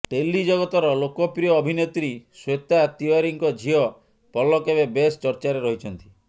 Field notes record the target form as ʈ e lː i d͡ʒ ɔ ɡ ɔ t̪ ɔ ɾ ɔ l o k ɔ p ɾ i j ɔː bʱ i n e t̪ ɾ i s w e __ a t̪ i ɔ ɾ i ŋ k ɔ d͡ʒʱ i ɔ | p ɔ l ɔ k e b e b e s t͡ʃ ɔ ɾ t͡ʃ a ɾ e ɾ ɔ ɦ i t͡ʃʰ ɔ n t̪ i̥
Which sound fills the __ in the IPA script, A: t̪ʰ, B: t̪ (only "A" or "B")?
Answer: B